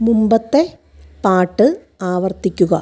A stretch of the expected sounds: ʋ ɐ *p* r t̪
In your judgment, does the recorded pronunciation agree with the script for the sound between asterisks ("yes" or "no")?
no